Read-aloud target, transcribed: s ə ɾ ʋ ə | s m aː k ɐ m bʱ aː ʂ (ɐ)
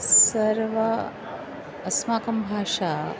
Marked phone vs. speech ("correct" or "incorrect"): incorrect